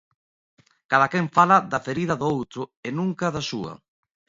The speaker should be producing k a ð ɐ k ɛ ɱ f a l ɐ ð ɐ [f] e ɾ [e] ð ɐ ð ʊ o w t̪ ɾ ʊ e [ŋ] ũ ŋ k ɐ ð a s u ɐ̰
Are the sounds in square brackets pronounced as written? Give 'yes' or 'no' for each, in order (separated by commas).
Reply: yes, no, no